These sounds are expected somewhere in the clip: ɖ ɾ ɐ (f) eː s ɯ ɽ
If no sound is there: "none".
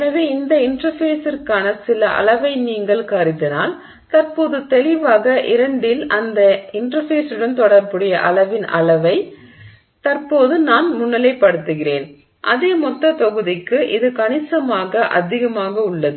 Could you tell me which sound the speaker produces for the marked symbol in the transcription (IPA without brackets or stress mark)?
f